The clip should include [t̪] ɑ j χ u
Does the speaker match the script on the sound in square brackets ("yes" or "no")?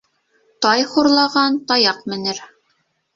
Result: yes